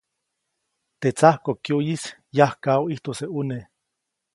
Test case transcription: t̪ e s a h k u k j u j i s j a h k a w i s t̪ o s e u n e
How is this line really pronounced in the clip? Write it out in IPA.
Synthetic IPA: t̪ e t͡s a h k o k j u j i s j a h k a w i h t̪ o s e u n e